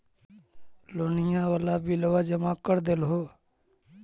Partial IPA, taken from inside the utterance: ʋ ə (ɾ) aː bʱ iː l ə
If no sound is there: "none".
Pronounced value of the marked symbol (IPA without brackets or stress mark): l